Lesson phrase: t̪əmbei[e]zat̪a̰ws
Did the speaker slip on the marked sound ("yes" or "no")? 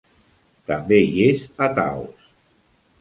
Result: no